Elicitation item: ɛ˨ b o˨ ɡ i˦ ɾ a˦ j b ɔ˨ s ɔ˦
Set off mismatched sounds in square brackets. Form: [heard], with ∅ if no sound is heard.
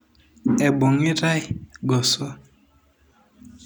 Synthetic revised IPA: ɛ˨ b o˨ [ŋ] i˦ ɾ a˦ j [ɡ] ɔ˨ s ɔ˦

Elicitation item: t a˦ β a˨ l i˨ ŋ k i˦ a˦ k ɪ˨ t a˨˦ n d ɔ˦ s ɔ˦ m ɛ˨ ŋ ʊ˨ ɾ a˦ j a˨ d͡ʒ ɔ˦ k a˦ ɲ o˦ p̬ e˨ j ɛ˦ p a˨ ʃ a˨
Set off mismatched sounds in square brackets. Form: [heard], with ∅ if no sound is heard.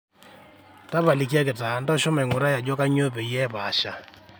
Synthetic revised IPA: t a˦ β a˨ l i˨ [∅] k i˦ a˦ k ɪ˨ t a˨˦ n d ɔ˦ [ʃ] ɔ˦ m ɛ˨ ŋ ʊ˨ ɾ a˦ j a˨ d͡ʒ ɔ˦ k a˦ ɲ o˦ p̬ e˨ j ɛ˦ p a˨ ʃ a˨

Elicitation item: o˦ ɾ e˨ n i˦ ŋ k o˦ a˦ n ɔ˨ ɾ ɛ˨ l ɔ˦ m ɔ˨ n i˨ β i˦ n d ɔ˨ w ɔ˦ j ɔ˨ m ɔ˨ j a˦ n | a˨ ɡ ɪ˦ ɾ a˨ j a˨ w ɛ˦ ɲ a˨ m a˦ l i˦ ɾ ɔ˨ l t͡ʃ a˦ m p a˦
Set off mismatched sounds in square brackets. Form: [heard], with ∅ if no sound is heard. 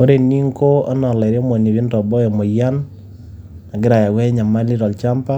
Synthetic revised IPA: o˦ ɾ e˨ n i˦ ŋ k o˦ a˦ n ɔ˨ [l] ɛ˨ [ɾ] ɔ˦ m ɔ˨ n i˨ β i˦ n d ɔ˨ [b] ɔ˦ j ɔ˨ m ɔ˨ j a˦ n | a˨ ɡ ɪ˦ ɾ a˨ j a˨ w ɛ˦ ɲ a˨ m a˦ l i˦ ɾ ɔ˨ l t͡ʃ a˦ m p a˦

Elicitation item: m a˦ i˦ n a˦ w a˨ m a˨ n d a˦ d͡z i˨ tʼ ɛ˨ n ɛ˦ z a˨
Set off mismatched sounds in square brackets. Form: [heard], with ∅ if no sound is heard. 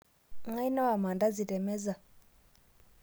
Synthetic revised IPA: [ŋ] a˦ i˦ n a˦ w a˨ m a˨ n d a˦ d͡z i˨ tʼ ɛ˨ [m] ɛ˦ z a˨

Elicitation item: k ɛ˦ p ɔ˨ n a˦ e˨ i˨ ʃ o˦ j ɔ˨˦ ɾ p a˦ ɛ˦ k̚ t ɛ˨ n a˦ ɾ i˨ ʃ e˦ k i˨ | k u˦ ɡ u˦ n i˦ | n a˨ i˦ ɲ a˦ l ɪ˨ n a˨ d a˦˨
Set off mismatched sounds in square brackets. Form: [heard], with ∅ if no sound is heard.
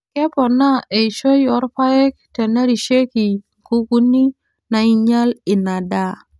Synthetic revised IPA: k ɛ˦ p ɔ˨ n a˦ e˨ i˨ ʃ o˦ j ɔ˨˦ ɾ p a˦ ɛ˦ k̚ t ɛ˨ n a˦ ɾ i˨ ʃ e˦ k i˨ | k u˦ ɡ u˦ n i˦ | n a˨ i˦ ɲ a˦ l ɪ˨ n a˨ d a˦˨

